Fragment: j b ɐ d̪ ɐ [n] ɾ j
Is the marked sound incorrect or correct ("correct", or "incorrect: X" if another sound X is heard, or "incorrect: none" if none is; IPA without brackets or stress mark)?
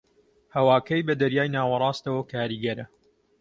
incorrect: none